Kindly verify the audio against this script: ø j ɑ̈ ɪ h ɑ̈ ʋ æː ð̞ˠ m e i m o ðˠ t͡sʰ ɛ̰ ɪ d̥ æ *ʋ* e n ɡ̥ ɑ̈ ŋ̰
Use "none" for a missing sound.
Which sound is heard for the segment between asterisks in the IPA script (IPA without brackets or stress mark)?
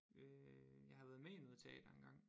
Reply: none